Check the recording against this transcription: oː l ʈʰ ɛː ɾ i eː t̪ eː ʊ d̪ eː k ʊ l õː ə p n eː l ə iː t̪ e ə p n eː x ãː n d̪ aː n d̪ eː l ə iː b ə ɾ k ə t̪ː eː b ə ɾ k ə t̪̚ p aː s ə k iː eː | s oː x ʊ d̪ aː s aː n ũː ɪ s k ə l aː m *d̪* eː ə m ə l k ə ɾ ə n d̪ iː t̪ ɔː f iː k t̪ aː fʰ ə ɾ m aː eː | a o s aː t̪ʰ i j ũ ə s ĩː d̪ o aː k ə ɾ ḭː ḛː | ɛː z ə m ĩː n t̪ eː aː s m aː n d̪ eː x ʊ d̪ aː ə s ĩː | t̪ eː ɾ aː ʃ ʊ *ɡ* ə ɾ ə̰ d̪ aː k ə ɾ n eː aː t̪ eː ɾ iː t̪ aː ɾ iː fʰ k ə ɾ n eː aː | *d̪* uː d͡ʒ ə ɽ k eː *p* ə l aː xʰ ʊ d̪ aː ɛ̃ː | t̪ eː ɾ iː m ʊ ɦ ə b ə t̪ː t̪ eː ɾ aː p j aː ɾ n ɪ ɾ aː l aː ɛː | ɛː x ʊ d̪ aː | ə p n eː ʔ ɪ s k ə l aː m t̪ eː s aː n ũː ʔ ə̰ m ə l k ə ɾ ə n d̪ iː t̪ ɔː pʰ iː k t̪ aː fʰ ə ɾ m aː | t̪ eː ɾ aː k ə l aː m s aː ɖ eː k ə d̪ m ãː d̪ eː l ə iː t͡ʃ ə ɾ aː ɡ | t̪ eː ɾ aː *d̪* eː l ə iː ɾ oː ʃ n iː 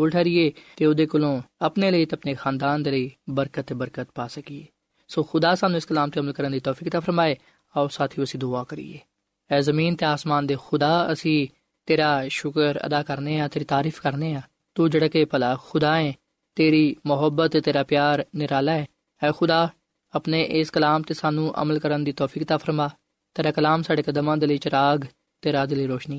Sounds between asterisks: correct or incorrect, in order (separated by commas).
incorrect, incorrect, incorrect, correct, correct